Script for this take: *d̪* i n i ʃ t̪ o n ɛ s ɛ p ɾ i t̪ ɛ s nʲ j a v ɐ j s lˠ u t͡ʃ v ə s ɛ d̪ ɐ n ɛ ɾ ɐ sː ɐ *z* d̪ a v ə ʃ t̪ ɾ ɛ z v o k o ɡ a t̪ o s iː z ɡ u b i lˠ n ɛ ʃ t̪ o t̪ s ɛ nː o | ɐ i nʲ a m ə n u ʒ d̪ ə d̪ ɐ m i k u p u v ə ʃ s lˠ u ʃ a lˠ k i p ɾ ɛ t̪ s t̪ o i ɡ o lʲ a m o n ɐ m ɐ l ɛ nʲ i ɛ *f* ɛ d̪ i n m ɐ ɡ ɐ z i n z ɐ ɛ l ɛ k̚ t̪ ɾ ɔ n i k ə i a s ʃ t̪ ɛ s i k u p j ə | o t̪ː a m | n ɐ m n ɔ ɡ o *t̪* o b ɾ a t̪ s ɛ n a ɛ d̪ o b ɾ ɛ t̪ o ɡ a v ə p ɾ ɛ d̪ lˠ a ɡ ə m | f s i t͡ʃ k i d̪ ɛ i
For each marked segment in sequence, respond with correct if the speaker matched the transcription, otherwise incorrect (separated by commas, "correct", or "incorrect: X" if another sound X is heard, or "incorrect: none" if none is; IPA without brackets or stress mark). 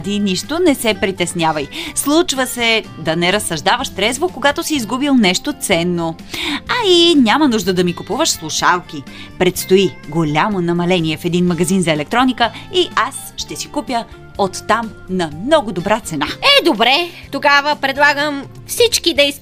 correct, incorrect: ʒ, correct, incorrect: d̪